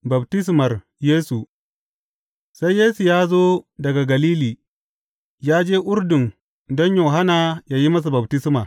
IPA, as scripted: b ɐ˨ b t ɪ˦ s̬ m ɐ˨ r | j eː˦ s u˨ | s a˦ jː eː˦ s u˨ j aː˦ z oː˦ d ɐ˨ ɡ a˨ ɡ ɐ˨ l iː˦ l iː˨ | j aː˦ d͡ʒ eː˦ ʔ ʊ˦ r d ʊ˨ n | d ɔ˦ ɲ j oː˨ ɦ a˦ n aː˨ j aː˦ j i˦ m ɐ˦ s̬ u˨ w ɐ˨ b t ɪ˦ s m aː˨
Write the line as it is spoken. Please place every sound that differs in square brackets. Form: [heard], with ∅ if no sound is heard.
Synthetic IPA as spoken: b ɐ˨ b t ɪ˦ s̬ m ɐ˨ r | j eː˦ s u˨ | s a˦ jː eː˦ s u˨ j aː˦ z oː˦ d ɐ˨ ɡ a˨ ɡ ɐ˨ l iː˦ l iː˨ | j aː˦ d͡ʒ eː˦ ʔ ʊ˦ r d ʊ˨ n | d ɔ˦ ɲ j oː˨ ɦ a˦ n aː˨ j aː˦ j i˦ m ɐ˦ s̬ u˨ [b] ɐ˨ b t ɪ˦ s m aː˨

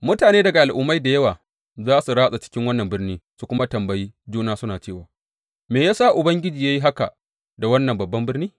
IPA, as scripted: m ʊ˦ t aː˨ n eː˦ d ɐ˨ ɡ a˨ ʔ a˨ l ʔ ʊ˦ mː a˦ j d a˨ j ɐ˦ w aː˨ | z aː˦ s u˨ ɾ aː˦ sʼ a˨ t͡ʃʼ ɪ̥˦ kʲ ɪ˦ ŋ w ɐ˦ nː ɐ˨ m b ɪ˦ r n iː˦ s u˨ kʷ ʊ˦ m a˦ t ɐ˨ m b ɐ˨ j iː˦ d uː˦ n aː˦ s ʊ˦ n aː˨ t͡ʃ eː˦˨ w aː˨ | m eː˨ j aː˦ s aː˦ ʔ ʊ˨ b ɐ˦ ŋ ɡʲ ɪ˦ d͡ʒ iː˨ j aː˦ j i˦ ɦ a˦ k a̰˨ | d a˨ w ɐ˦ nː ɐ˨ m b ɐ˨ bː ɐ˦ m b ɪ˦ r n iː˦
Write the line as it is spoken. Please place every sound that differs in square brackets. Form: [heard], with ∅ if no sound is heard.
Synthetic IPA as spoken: m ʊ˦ t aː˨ n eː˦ d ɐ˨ ɡ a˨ ʔ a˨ l ʔ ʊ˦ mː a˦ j d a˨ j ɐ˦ w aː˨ | z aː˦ s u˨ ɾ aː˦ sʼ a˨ [t͡ʃ] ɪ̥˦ kʲ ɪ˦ ŋ w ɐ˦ nː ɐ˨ m b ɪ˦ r n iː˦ s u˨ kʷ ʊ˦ m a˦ t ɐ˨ m b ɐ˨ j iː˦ [d͡ʒ] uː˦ n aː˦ s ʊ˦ n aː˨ t͡ʃ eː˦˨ w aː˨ | m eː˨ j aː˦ s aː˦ ʔ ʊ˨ b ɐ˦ ŋ ɡʲ ɪ˦ d͡ʒ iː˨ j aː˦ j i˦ ɦ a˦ k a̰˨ | d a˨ w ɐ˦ nː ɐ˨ m b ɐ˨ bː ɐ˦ m b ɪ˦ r n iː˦

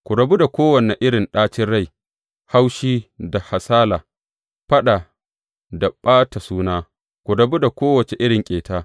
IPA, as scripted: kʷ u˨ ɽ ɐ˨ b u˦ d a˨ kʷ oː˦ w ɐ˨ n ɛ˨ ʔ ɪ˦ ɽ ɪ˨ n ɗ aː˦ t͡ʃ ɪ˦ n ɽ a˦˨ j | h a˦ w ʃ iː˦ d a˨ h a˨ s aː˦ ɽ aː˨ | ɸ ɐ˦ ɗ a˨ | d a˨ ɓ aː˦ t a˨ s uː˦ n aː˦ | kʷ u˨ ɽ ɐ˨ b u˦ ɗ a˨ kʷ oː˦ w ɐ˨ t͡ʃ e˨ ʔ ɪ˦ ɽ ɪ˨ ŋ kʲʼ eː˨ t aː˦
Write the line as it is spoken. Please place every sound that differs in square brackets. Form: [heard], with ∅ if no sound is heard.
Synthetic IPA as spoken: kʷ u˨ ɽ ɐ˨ b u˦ d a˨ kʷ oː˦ w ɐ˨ n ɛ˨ ʔ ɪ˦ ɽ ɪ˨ n ɗ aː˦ t͡ʃ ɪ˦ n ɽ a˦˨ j | h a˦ w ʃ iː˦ d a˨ h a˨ s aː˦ [l] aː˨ | ɸ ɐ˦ ɗ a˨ | d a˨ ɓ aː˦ t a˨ s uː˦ n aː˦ | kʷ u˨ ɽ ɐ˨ b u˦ [d] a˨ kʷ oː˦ w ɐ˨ t͡ʃ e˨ ʔ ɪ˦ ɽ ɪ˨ ŋ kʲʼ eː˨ t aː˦

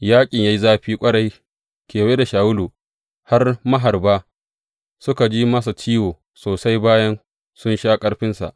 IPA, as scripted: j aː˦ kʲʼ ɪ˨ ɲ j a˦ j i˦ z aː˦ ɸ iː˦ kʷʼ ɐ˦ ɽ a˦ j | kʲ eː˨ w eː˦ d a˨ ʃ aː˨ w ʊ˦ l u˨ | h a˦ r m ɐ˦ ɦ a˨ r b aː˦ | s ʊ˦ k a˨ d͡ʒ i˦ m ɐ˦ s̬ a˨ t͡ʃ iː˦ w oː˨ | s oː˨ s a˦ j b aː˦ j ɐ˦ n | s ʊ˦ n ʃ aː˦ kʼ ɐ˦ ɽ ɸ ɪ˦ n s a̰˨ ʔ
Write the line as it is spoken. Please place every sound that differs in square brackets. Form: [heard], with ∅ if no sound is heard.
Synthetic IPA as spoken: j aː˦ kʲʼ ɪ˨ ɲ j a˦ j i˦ z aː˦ ɸ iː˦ kʷʼ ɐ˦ ɽ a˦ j | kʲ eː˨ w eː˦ d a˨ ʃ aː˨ w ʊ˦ l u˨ | h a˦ r m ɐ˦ ɦ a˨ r b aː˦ | s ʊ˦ k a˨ d͡ʒ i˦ m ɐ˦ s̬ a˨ t͡ʃ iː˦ w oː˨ | s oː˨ s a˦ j b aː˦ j ɐ˦ n | s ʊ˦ n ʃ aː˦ kʼ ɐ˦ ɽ ɸ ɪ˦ n s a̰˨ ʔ

